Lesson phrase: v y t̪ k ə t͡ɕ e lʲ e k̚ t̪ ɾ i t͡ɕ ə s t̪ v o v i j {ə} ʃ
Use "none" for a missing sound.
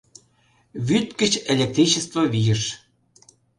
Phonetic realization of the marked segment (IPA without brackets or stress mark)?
ə